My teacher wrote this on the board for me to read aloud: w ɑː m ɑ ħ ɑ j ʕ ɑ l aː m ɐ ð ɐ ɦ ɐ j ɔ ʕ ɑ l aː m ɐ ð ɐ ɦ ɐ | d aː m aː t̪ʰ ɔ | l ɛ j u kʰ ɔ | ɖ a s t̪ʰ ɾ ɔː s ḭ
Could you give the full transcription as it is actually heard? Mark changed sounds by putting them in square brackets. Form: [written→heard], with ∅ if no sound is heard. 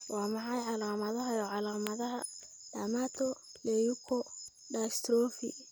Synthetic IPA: w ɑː m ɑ ħ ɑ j ʕ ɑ l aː m ɐ ð ɐ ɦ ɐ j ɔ ʕ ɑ l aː m ɐ ð ɐ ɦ ɐ | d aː m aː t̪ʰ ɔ | l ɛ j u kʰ ɔ | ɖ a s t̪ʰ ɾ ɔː [s→f] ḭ